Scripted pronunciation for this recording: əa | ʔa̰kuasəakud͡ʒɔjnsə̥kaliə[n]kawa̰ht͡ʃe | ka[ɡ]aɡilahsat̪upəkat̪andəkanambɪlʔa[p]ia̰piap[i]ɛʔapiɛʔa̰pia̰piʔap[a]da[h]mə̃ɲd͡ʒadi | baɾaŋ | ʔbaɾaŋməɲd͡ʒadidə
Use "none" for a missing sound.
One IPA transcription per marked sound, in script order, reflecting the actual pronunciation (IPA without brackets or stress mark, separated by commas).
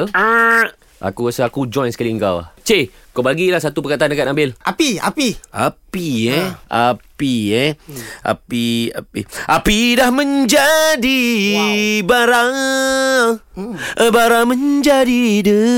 ŋ, b, p, i, i, h